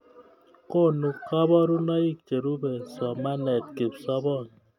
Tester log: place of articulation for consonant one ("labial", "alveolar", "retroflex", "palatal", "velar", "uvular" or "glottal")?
velar